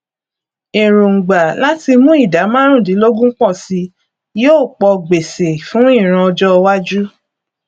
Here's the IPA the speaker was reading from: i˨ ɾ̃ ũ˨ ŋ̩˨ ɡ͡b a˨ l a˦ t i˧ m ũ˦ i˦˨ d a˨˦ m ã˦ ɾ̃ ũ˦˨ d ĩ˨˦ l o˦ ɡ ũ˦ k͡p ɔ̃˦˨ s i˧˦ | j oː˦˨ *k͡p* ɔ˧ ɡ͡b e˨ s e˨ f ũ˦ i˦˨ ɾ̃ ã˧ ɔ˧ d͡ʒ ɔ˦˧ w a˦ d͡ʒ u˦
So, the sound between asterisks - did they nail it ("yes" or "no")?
yes